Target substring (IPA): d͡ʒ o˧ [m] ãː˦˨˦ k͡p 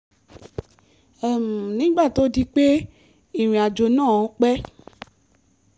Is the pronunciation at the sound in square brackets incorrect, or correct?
incorrect